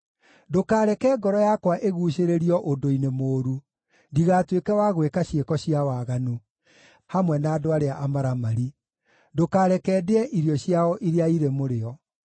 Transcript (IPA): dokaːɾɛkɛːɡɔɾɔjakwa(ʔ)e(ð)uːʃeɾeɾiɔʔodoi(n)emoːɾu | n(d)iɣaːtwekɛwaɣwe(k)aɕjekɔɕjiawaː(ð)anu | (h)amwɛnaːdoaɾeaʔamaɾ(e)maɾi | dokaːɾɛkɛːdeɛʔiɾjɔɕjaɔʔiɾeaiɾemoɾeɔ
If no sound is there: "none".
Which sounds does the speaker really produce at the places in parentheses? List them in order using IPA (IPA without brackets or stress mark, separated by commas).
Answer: ʔ, ɣ, n, d, k, ɣ, h, a